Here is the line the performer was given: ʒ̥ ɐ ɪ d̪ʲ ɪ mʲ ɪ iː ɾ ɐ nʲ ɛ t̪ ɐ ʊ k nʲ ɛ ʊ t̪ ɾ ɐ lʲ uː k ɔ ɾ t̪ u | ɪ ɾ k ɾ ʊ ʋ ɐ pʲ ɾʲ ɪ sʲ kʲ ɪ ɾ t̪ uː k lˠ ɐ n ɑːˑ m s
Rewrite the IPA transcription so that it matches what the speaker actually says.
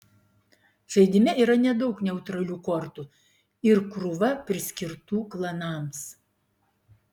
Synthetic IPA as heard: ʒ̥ ɐ ɪ d̪ʲ ɪ mʲ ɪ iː ɾ ɐ nʲ ɛ d̪ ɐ ʊ k nʲ ɛ ʊ t̪ ɾ ɐ lʲ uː k ɔ ɾ t̪ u | ɪ ɾ k ɾ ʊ ʋ ɐ pʲ ɾʲ ɪ sʲ kʲ ɪ ɾ t̪ uː k lˠ ɐ n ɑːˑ m s

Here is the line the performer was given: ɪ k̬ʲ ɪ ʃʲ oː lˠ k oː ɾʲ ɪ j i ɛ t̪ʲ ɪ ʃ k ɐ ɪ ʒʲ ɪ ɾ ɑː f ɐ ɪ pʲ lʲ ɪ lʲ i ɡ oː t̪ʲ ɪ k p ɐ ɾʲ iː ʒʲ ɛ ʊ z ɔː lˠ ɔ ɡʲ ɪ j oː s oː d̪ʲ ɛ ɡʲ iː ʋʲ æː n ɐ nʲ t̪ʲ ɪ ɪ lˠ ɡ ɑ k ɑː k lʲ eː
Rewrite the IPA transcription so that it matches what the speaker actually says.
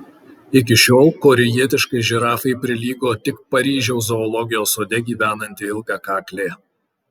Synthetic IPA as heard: ɪ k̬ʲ ɪ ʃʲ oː lˠ k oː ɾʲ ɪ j i ɛ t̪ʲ ɪ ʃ k ɐ ɪ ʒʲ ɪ ɾ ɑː f ɐ ɪ pʲ ɾʲ ɪ lʲ iː ɡ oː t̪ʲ ɪ k p ɐ ɾʲ iː ʒʲ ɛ ʊ z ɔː lˠ ɔ ɡʲ ɪ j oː s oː d̪ʲ ɛ ɡʲ iː ʋʲ æː n ɐ nʲ t̪ʲ ɪ ɪ lˠ ɡ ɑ k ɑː k lʲ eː

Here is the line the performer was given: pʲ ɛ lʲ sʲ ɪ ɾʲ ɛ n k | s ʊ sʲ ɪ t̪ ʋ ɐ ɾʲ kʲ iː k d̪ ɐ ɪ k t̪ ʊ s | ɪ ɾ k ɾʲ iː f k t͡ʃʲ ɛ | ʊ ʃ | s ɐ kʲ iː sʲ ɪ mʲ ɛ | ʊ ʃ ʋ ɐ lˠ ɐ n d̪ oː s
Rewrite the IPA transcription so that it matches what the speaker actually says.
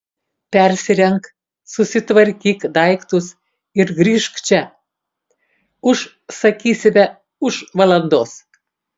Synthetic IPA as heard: pʲ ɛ ɾʲ sʲ ɪ ɾʲ ɛ ŋ k | s ʊ sʲ ɪ t̪ ʋ ɐ ɾʲ kʲ iː k d̪ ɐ ɪ k t̪ ʊ s | ɪ ɾ ɡ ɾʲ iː ʃ k t͡ʃʲ ɛ | ʊ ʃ | s ɐ kʲ iː sʲ ɪ mʲ ɛ | ʊ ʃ ʋ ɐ lˠ ɐ n d̪ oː s

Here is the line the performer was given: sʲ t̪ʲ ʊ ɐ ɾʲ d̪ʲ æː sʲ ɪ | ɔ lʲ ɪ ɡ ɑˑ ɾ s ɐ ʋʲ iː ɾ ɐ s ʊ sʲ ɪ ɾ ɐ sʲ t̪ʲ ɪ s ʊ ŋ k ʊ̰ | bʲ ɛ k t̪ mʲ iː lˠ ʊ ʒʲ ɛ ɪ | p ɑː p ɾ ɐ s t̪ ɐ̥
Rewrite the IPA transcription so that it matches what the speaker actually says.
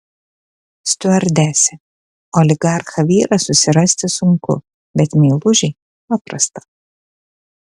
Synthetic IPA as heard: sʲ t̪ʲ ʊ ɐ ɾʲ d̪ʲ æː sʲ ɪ | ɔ lʲ ɪ ɡ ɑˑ ɾ x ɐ ʋʲ iː ɾ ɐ s ʊ sʲ ɪ ɾ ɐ sʲ t̪ʲ ɪ s ʊ ŋ k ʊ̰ | bʲ ɛ t̪ mʲ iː lˠ ʊ ʒʲ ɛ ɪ | p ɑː p ɾ ɐ s t̪ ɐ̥

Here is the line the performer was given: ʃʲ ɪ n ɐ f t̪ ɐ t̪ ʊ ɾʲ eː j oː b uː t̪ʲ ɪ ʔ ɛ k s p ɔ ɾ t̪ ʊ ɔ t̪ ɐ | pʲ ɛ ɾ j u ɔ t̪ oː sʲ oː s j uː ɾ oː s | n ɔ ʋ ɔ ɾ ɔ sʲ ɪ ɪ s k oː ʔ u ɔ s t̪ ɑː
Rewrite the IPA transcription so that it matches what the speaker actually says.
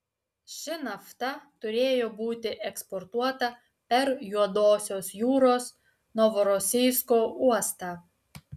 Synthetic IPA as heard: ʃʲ ɪ n ɐ f t̪ ɐ t̪ ʊ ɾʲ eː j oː b uː t̪ʲ ɪ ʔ ɛ k s p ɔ ɾ t̪ u ɔ t̪ ɐ | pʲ ɛ ɾ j u ɔ d̪ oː sʲ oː s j uː ɾ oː s | n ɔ ʋ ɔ ɾ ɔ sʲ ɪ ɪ s k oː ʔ u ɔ s t̪ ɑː

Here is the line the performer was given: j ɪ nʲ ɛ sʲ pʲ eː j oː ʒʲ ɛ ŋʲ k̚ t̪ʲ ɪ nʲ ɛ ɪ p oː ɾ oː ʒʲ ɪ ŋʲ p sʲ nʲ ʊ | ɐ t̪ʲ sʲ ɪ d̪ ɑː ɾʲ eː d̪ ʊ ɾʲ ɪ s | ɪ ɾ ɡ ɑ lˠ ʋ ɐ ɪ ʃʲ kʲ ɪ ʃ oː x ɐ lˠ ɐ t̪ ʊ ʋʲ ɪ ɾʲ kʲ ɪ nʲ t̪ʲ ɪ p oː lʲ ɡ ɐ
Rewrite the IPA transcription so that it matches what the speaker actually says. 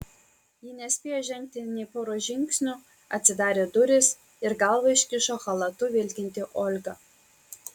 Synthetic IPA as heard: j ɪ nʲ ɛ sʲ pʲ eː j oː ʒʲ ɛ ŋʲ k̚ t̪ʲ ɪ nʲ ɛ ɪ p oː ɾ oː ʒʲ ɪ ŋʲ k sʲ nʲ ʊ | ɐ t̪ʲ sʲ ɪ d̪ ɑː ɾʲ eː d̪ ʊ ɾʲ ɪ s | ɪ ɾ ɡ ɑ lˠ ʋ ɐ ɪ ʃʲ kʲ ɪ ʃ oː x ɐ lˠ ɐ t̪ ʊ ʋʲ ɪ lʲ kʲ ɪ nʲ t̪ʲ ɪ ʔ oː lʲ ɡ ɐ

